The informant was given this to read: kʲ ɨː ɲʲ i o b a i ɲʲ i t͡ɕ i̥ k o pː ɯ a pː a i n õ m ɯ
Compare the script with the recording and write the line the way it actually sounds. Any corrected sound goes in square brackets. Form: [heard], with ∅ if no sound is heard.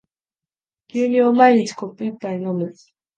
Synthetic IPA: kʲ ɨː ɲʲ i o [m] a i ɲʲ i t͡ɕ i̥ k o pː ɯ [i] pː a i n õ m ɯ